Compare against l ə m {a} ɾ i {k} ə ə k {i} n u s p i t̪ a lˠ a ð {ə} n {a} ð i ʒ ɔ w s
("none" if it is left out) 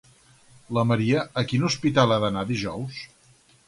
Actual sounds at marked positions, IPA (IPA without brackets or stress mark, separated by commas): ə, none, i, ə, a